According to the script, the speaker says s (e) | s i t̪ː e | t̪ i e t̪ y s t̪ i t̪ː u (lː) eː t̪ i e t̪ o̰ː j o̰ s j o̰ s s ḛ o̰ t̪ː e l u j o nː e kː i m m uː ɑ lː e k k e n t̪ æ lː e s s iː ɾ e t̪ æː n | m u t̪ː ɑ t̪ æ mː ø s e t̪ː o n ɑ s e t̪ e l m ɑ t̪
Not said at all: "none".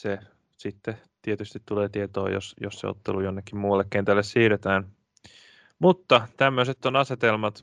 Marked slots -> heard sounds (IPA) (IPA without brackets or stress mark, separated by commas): e, l